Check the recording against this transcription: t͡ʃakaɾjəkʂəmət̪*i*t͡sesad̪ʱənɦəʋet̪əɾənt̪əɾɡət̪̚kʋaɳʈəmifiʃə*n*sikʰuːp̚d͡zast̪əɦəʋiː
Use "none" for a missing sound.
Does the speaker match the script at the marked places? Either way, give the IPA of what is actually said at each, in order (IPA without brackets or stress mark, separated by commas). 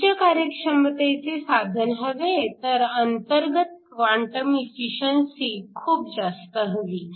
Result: e, n